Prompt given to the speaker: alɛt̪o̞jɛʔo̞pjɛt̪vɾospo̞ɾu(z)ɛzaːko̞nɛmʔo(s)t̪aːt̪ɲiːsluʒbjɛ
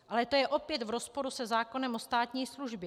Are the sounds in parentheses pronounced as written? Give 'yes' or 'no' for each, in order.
no, yes

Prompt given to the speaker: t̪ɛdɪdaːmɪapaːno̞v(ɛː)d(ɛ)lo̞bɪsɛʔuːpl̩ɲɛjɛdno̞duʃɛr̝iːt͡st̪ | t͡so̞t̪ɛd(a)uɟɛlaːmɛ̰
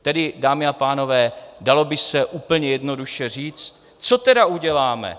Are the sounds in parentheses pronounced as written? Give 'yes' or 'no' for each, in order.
yes, no, yes

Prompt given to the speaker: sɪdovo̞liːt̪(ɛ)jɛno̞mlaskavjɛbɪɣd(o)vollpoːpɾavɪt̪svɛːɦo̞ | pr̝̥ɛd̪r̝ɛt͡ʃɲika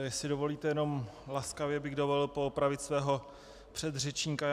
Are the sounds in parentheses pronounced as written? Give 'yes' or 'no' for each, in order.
yes, yes

